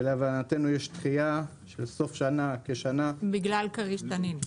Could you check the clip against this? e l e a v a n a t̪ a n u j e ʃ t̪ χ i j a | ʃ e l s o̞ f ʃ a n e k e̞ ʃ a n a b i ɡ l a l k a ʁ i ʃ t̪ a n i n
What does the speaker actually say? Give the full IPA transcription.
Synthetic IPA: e l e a v a n a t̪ e n u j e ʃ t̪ χ i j a | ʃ e l s o̞ f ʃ a n a k e̞ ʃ a n a b i ɡ l a l k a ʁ i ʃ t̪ a n i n

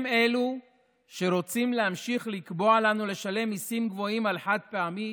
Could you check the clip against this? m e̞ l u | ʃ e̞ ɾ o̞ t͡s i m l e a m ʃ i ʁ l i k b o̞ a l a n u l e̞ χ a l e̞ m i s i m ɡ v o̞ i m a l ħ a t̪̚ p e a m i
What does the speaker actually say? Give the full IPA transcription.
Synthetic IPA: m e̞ l u | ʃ e̞ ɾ o̞ t͡s i m l e a m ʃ i χ l i k b o̞ a l a n u l e̞ ʃ a l e̞ m i s i m ɡ v o̞ i m a l ħ a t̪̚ p e a m i

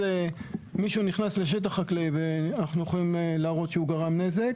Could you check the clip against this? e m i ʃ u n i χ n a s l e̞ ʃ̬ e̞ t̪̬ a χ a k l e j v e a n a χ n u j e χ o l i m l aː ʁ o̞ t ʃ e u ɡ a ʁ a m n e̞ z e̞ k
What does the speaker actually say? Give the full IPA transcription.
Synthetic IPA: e m i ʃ u n i χ n a s l e̞ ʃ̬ e̞ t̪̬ a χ a k l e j v e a n a χ n u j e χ o l i m l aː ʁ o̞ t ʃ e u ɡ a ʁ a m n e̞ z e̞ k

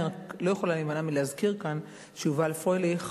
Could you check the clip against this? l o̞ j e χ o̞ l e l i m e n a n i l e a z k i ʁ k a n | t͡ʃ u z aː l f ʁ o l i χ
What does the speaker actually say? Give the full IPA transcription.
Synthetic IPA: l o̞ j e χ o̞ l a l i m a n a m i l e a z k i ʁ k a n | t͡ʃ u v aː l f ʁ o l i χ

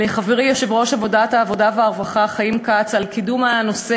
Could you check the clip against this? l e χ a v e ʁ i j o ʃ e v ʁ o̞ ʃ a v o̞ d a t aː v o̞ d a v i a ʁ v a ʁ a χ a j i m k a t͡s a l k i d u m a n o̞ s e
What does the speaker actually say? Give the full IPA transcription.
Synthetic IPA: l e χ a v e ʁ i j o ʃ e v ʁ o̞ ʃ a v o̞ d a t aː v o̞ d a v e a ʁ v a χ a χ a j i m k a t͡s a l k i d u m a n o̞ s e

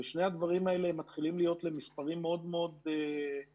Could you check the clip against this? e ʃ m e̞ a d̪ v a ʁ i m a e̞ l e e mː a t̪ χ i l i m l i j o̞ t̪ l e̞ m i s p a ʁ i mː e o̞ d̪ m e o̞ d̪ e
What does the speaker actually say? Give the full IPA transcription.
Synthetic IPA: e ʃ n e̞ a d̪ v a ʁ i m a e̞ l e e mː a t̪ χ i l i m l i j o̞ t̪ l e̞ m i s p a ʁ i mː e o̞ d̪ m e o̞ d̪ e

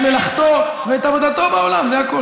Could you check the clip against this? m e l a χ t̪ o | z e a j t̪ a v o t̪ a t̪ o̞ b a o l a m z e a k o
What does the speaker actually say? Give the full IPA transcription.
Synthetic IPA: m e l a χ t̪ o | v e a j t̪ a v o d̪ a t̪ o̞ b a o l a m z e a k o

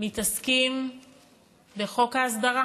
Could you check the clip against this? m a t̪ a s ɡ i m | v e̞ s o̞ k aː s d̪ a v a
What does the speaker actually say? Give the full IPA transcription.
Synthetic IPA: m i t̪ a s k i m | b e̞ χ o̞ k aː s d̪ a ʁ a

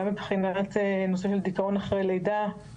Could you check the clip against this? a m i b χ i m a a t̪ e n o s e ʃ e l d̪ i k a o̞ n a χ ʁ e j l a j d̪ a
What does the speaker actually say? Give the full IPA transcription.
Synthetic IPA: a m i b χ i n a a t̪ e n o s e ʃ e l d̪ i k a o̞ n a χ ʁ e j l e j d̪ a

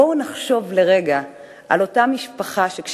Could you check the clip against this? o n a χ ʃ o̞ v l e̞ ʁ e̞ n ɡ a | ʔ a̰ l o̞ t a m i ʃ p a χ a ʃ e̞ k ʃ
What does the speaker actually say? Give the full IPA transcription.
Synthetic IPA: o n a χ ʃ o̞ v l e̞ ʁ e̞ ɡ a | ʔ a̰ l o̞ t a m i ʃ p a χ a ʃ e̞ k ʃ

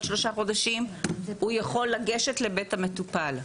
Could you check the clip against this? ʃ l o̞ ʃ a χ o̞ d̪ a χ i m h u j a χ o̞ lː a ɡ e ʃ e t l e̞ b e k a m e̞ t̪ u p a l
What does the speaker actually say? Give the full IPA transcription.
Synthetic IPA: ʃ l o̞ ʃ a χ o̞ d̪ a ʃ i m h u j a χ o̞ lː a ɡ e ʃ e t l e̞ b e t a m e̞ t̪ u p a l

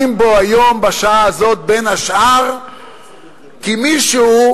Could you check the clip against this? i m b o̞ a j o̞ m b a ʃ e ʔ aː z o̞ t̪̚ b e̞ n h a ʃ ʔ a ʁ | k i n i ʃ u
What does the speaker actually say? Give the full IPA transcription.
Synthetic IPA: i m b o̞ a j o̞ m b a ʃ a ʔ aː z o̞ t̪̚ b e̞ n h a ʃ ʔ a ʁ | k i m i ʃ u

